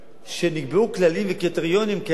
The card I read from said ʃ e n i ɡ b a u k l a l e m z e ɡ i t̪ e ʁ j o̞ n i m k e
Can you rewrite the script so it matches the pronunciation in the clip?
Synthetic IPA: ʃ e n i ɡ b e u k l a l i m v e k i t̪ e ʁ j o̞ n i m k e